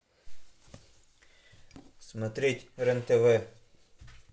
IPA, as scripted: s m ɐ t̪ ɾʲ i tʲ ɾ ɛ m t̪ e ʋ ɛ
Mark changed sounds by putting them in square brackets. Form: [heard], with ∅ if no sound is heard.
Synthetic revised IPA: s m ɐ t̪ ɾʲ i tʲ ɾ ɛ [n] t̪ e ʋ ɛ